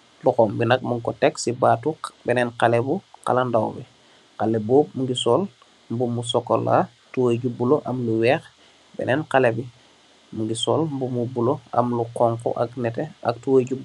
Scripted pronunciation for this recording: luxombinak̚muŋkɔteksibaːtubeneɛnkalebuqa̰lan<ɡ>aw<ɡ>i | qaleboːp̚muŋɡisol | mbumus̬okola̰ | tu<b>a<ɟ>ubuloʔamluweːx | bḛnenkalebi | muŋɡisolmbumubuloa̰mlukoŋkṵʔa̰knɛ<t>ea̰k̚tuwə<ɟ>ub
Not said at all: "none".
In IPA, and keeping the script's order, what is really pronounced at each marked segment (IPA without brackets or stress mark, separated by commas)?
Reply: d, b, w, ɟ, t, ɟ